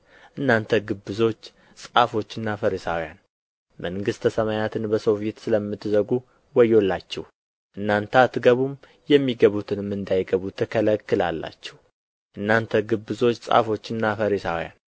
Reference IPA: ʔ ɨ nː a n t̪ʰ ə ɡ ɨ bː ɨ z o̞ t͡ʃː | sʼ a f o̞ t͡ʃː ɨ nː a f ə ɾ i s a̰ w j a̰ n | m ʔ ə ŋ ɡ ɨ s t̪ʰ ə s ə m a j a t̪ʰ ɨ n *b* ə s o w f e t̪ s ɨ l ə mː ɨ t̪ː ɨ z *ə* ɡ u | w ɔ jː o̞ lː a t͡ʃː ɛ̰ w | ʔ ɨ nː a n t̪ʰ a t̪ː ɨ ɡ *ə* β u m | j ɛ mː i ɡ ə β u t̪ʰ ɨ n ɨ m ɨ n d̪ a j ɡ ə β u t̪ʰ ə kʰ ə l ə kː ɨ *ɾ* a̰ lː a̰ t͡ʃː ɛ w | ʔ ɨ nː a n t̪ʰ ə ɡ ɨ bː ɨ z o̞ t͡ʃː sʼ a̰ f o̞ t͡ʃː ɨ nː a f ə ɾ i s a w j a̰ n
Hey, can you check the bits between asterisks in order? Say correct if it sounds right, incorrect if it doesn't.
correct, correct, correct, incorrect

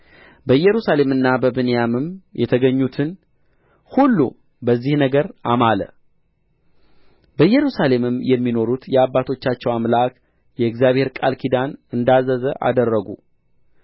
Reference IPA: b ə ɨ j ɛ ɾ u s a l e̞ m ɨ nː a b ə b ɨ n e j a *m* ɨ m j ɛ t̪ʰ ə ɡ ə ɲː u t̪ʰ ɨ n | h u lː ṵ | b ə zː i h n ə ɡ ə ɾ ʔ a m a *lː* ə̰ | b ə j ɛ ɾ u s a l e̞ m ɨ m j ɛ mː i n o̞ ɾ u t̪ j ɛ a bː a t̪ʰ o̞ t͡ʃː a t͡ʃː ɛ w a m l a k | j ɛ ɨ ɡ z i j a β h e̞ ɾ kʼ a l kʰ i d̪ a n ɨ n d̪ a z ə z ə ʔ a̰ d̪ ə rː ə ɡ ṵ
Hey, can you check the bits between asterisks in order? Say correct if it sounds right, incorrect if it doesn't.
correct, incorrect

